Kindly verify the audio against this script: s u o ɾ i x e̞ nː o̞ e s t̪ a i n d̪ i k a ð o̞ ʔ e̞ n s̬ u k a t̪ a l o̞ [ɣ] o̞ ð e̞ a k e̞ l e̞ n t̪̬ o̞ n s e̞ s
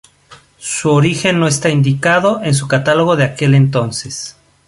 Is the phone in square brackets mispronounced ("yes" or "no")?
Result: no